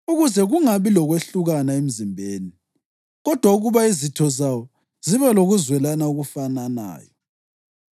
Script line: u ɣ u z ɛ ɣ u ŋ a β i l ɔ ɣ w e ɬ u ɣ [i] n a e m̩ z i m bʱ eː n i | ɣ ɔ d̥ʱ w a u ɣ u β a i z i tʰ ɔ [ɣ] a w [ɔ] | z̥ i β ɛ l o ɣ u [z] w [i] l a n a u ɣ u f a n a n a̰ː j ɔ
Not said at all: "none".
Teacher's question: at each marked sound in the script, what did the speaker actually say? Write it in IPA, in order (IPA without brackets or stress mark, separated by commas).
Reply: a, z, ɔ, z, ɛ